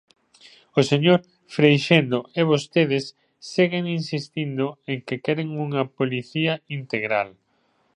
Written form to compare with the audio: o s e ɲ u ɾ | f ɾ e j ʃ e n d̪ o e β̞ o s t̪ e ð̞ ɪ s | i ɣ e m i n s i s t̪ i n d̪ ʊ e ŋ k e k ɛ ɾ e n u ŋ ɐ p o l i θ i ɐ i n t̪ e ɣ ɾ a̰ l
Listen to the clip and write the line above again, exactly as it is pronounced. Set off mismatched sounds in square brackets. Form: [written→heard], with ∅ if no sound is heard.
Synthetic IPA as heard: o s e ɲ [u→o] ɾ | f ɾ e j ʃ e n d̪ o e β̞ o s t̪ e ð̞ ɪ [s→sː] | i ɣ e [m→ŋ] i n s i s t̪ i n d̪ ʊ e ŋ k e k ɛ ɾ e [n→ŋ] u ŋ ɐ p o l i θ i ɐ i n t̪ e ɣ ɾ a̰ l